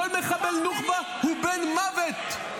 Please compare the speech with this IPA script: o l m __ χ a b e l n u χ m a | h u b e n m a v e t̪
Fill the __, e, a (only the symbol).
e